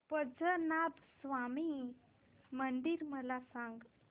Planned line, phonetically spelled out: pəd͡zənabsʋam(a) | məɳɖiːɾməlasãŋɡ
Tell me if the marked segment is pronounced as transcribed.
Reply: no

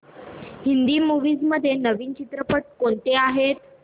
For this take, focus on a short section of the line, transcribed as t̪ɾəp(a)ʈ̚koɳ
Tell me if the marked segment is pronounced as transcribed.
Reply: no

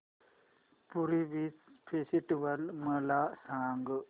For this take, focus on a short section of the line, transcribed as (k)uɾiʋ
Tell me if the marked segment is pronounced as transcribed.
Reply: no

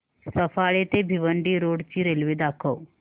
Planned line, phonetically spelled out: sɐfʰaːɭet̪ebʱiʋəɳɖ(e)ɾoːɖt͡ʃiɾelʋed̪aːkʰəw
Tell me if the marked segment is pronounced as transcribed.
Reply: no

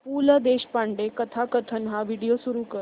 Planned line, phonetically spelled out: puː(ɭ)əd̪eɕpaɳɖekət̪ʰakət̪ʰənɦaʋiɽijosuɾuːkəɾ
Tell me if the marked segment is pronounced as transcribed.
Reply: no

